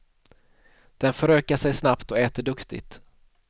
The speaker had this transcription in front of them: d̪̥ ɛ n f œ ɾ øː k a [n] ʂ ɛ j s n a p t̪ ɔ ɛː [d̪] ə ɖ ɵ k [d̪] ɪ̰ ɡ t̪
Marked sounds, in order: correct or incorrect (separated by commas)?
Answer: incorrect, incorrect, incorrect